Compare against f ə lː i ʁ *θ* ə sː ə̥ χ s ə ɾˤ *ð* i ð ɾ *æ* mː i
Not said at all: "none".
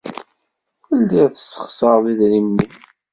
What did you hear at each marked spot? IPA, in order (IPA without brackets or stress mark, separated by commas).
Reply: θ, ð, i